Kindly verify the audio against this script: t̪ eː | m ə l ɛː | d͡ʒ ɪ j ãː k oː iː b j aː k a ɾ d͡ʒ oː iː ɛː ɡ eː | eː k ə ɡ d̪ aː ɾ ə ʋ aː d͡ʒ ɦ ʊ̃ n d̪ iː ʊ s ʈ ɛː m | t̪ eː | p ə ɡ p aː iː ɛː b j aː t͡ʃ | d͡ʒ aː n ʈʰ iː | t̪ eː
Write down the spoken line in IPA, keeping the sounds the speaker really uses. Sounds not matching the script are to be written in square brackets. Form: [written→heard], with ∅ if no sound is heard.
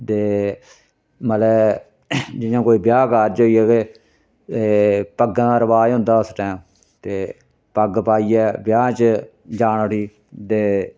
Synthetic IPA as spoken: t̪ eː | m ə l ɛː | d͡ʒ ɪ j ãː k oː iː b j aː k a ɾ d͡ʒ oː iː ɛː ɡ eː | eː [k→p] ə ɡ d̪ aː ɾ ə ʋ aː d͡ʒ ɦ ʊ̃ n d̪ [iː→aː] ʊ s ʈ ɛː m | t̪ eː | p ə ɡ p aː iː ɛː b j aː t͡ʃ | d͡ʒ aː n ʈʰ iː | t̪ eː